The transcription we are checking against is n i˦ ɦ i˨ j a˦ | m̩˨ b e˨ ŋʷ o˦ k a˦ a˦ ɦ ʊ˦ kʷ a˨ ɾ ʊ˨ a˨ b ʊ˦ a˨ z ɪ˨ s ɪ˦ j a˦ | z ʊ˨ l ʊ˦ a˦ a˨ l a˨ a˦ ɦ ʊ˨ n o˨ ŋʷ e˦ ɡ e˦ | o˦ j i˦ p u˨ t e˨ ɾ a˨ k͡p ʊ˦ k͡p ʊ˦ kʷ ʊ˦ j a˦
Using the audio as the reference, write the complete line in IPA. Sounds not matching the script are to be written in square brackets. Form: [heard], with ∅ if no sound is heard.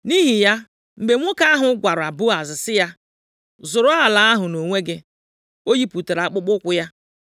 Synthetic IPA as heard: n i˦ ɦ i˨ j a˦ | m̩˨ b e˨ ŋʷ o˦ k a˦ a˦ ɦ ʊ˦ [ɡʷ] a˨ ɾ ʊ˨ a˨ b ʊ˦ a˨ z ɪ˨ s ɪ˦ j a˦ | z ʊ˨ [ɾ] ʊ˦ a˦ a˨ l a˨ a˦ ɦ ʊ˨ n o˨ ŋʷ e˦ ɡ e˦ | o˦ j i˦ p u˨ t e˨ ɾ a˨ k͡p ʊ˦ k͡p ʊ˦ kʷ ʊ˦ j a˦